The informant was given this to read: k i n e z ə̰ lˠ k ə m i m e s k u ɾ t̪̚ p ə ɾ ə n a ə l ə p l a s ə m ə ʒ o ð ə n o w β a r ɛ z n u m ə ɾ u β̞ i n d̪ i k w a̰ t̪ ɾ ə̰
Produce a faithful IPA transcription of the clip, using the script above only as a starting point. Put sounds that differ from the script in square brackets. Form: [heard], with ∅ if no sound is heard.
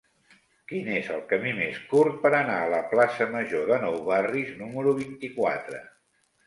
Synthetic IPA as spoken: k i n e z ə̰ lˠ k ə m i m e s k u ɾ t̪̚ p ə ɾ ə n a ə l ə p l a s ə m ə ʒ o ð ə n [ɔ] w β a r [i] z n u m ə ɾ u β̞ i n [t̪] i k w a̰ t̪ ɾ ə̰